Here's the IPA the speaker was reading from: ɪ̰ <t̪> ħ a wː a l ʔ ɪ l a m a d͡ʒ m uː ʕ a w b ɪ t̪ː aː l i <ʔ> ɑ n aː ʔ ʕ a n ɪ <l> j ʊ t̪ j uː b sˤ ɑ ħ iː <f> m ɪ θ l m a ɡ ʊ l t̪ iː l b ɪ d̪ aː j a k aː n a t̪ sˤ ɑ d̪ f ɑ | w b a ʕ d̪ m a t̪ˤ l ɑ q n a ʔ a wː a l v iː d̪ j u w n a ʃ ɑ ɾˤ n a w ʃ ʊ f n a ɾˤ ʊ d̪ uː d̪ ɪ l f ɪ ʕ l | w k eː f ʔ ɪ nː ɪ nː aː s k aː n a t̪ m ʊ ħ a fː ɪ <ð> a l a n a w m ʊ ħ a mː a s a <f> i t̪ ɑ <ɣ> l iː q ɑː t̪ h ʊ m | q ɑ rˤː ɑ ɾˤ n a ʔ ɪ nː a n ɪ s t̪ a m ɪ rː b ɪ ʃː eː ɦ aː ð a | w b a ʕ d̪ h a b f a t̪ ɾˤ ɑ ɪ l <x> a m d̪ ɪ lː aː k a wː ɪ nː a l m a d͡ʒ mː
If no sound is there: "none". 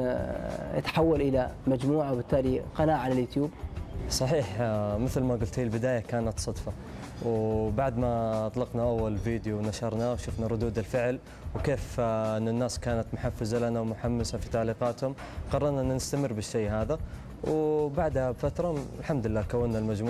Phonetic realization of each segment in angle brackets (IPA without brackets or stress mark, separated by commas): t̪, q, l, ħ, z, f, ʕ, ħ